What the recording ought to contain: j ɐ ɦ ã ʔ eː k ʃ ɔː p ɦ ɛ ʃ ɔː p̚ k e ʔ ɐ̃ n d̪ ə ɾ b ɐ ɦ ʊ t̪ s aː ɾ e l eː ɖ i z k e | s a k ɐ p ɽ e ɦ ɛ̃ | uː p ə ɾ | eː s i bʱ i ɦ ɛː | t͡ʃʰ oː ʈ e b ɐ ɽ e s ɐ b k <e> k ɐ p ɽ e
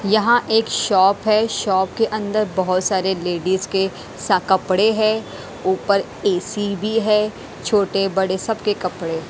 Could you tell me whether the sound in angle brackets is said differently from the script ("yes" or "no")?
no